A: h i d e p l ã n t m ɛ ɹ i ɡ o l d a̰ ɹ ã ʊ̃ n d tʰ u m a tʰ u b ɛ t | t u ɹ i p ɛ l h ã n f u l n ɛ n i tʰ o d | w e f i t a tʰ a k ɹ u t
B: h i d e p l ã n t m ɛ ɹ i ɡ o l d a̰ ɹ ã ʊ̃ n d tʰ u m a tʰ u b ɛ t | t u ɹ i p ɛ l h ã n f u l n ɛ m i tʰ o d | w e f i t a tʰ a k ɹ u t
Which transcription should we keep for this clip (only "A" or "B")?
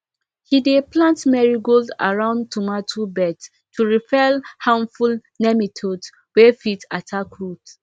B